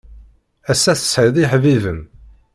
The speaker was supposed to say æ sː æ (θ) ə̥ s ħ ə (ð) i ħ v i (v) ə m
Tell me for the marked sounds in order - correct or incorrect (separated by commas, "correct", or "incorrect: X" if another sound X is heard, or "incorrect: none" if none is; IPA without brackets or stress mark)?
correct, correct, correct